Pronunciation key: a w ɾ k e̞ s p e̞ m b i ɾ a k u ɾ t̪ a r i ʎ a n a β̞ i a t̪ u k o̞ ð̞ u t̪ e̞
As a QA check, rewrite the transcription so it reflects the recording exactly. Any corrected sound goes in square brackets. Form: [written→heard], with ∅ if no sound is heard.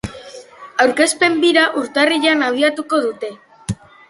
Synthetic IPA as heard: a w ɾ k e̞ s p e̞ m b i ɾ a [k→ʔ] u ɾ t̪ a r i ʎ a n a β̞ i a t̪ u k o̞ ð̞ u t̪ e̞